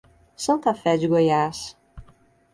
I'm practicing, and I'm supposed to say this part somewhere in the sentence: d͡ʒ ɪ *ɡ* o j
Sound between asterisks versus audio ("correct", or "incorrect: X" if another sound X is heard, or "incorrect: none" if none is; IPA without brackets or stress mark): correct